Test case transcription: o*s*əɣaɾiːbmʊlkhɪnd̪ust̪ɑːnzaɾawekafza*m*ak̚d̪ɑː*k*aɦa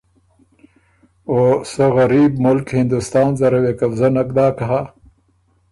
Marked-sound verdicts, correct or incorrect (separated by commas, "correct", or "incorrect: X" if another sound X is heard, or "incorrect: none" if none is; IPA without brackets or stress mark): correct, incorrect: n, correct